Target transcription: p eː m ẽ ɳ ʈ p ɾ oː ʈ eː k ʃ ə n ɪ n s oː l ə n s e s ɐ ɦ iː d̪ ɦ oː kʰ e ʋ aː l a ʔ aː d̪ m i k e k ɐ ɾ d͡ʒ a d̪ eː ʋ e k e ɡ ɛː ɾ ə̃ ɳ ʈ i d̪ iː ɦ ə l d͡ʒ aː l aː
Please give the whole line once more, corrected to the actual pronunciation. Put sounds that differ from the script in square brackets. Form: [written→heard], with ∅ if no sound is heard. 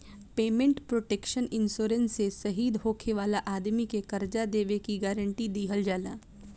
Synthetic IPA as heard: p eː m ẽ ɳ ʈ p ɾ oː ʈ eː k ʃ ə n ɪ n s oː [l→ɾ] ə n s e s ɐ ɦ iː d̪ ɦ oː kʰ e ʋ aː l a ʔ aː d̪ m i k e k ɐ ɾ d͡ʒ a d̪ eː ʋ e k [e→i] ɡ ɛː ɾ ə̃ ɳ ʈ i d̪ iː ɦ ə l d͡ʒ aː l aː